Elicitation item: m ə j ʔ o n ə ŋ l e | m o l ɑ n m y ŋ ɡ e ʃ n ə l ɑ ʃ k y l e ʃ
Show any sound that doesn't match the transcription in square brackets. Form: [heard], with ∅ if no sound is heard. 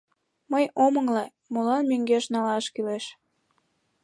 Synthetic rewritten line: m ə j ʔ o [m] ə ŋ l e | m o l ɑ n m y ŋ ɡ e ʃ n [ɑ] l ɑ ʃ k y l e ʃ